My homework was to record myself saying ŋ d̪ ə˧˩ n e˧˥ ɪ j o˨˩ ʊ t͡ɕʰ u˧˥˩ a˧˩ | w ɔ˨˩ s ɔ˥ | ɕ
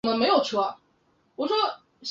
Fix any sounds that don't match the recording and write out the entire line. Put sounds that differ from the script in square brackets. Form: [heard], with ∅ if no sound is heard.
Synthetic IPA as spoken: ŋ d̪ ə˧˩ [m] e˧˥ ɪ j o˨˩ ʊ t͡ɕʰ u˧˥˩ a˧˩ | w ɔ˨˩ [ʂ] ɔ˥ | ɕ